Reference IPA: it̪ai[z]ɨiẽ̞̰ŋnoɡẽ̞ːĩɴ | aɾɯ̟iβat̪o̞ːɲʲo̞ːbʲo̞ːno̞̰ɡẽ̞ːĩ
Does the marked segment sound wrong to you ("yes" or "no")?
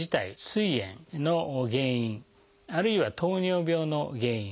yes